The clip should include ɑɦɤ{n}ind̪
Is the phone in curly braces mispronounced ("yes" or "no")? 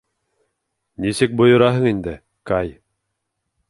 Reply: yes